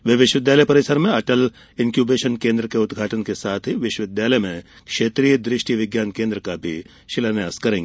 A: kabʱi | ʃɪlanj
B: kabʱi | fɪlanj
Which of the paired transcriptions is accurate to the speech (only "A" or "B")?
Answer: A